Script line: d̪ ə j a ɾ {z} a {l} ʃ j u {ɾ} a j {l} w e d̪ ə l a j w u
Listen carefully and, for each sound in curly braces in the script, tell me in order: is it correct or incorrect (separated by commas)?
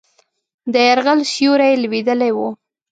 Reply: incorrect, correct, correct, correct